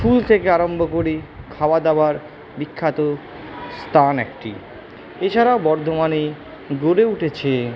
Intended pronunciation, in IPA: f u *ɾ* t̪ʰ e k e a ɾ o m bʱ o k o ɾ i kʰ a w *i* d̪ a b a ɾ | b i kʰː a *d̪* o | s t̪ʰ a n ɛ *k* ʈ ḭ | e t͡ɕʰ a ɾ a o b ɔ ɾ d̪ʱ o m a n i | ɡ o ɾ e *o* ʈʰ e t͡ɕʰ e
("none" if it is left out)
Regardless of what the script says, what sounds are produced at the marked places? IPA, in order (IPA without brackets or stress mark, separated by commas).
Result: l, a, t̪, k, u